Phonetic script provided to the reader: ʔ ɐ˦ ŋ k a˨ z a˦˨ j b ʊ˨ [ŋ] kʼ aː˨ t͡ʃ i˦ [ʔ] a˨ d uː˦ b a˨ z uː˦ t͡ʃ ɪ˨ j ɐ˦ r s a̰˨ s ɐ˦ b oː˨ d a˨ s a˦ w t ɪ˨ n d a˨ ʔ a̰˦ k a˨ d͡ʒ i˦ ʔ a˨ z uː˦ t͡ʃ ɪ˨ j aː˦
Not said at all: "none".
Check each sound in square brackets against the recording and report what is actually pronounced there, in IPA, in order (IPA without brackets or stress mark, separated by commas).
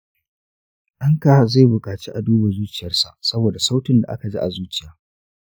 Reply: none, ʔ